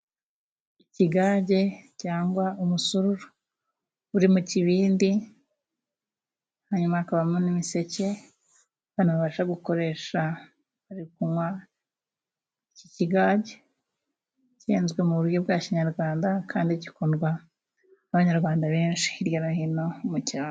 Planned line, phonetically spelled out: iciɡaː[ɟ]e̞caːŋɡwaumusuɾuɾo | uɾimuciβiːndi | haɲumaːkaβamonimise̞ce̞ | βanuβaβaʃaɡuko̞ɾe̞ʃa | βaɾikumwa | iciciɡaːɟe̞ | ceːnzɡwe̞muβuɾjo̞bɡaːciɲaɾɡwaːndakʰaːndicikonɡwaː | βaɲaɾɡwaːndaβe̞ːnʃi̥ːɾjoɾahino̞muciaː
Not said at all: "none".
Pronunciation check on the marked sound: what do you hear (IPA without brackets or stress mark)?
ɟ